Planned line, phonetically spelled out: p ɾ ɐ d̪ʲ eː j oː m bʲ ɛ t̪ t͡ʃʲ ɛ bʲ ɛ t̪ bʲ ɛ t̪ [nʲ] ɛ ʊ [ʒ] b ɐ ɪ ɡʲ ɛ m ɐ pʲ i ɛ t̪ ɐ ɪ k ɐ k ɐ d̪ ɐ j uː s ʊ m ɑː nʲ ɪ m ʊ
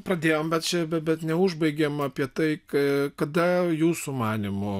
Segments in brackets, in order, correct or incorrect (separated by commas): correct, correct